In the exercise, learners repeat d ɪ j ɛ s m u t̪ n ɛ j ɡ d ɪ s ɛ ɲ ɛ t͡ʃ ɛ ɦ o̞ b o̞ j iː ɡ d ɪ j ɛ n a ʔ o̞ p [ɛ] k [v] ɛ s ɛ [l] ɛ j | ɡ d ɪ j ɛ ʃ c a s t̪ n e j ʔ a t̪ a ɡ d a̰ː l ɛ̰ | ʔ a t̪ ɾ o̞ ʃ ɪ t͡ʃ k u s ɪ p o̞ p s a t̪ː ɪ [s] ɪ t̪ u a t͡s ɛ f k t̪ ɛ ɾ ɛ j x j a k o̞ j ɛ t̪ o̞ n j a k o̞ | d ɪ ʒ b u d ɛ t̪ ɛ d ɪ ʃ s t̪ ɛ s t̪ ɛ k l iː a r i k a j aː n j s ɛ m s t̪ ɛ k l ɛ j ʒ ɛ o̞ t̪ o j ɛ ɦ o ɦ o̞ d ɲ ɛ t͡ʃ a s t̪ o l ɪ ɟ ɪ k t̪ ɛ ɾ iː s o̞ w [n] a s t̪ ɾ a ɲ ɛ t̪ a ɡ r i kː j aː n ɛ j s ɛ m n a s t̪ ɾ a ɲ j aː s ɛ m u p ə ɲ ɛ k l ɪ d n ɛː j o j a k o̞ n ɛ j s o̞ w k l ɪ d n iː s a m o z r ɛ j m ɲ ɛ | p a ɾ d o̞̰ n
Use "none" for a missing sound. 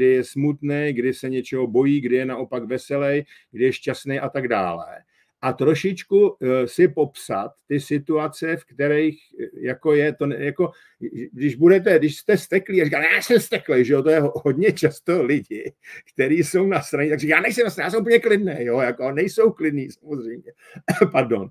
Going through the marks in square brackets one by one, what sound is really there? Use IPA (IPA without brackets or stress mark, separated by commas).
a, v, l, s, n